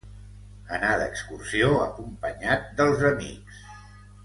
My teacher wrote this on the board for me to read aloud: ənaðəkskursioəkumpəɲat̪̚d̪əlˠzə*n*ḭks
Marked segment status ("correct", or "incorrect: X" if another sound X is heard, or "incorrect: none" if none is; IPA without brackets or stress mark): incorrect: m